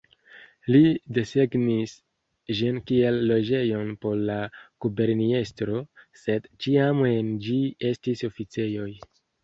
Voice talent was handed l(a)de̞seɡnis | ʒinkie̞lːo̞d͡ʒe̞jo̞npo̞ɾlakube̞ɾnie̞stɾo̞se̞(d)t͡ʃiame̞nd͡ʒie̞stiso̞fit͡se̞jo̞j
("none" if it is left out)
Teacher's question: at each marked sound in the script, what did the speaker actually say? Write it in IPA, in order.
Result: i, d

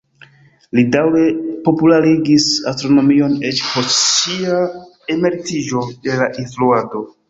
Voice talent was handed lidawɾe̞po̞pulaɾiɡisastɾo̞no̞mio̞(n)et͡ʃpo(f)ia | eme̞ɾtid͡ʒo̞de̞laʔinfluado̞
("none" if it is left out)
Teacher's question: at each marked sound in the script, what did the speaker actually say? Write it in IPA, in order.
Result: n, s

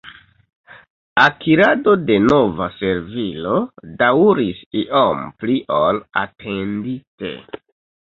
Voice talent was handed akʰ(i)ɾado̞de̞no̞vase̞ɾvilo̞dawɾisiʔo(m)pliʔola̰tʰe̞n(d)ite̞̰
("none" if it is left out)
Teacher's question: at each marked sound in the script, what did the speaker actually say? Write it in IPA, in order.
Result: i, m, d

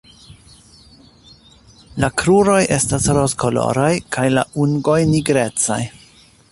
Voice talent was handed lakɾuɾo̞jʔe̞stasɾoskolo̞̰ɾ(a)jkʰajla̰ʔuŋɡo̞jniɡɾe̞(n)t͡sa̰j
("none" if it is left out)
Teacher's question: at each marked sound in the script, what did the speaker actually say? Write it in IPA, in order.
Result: a, none

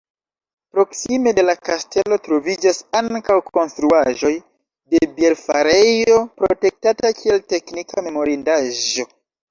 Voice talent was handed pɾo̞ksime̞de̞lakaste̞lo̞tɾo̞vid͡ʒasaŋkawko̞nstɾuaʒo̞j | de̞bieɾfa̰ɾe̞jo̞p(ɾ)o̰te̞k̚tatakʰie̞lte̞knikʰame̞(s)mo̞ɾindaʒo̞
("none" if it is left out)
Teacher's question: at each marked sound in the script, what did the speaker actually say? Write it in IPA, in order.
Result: ɾ, none

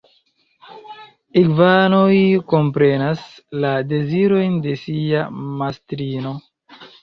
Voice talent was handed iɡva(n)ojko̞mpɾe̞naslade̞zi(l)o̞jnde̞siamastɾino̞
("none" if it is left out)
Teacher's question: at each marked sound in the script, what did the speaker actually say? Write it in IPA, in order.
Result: n, ɾ

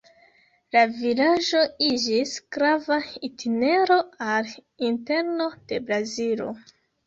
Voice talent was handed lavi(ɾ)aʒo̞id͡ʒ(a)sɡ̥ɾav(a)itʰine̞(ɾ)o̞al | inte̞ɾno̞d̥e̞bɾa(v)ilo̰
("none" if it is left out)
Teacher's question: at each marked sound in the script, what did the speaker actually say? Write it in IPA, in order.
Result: l, i, a, ɾ, z

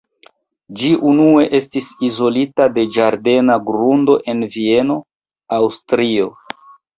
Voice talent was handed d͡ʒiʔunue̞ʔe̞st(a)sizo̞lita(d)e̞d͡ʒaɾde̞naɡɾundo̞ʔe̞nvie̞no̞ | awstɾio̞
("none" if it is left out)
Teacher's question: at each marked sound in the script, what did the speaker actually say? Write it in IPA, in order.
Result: i, d

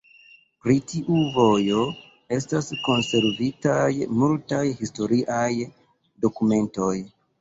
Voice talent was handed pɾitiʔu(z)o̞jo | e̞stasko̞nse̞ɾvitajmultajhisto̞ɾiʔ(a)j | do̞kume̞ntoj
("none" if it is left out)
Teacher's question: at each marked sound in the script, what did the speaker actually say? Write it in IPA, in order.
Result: v, a

